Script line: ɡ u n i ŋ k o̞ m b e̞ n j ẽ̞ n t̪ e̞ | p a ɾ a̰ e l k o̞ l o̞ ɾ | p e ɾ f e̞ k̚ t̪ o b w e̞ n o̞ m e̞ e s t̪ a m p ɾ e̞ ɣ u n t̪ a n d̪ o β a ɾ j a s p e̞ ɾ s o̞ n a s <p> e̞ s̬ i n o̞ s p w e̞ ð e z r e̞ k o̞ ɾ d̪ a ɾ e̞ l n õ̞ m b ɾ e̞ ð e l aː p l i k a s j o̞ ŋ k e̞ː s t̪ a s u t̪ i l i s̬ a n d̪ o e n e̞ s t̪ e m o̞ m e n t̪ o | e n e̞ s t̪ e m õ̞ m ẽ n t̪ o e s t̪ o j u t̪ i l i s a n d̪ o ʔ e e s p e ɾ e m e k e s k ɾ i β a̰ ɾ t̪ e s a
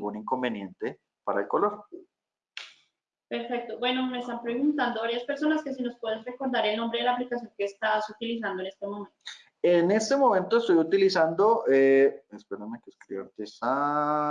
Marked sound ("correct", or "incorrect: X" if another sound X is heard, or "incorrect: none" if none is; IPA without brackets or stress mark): incorrect: k